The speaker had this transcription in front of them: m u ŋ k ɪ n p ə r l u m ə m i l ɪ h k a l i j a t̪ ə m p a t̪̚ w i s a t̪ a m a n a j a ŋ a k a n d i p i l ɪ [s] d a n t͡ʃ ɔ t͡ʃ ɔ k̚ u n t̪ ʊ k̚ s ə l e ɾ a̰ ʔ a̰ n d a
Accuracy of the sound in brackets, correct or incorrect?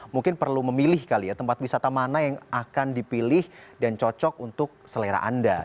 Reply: incorrect